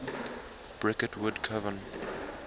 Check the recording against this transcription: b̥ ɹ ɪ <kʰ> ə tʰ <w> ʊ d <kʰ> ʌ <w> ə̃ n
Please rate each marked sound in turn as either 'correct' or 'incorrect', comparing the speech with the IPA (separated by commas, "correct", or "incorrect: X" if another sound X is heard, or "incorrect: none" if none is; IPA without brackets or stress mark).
incorrect: k, correct, correct, incorrect: v